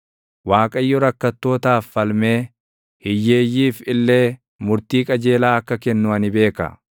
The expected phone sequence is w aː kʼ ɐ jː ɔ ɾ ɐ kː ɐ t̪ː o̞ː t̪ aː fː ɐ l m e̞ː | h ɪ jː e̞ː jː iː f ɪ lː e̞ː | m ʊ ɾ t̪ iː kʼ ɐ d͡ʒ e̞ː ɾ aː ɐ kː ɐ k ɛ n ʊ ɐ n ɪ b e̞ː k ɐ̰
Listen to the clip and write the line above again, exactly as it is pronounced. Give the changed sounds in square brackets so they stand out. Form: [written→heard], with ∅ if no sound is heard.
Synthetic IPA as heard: w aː kʼ ɐ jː ɔ ɾ ɐ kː ɐ t̪ː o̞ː t̪ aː fː ɐ l m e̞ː | h ɪ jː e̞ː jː iː f ɪ lː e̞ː | m ʊ ɾ t̪ iː kʼ ɐ d͡ʒ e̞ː [ɾ→l] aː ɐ kː ɐ k ɛ [n→nː] ʊ ɐ n ɪ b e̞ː k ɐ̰